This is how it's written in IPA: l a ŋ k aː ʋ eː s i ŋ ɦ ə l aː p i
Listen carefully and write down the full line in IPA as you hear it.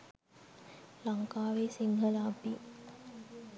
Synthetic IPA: l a ŋ k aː ʋ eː s i ŋ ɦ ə l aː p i